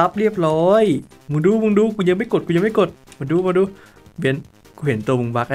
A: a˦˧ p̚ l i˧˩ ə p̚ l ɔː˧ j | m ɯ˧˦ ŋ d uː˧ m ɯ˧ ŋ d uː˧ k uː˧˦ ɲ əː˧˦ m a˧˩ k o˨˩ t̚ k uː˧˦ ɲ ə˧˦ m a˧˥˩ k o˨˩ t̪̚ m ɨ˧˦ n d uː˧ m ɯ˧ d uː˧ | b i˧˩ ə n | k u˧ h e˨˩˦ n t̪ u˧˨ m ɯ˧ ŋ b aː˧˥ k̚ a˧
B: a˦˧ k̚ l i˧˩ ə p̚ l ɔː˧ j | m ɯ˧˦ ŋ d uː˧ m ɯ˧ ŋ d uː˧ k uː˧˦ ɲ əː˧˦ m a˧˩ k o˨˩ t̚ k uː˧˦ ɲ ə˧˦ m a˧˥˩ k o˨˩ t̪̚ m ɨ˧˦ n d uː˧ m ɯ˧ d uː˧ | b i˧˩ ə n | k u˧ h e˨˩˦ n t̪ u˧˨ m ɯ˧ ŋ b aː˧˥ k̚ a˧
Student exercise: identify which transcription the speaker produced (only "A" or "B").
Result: A